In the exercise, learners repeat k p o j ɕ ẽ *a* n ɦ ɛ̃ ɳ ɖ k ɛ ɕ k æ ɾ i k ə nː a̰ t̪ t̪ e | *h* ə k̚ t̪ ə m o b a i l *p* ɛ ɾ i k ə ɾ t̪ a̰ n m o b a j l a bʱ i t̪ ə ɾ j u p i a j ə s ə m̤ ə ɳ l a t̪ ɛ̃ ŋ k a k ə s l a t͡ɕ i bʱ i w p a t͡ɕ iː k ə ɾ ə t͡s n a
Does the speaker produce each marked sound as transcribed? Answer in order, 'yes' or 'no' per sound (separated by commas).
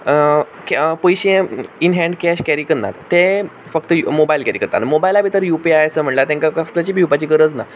no, no, no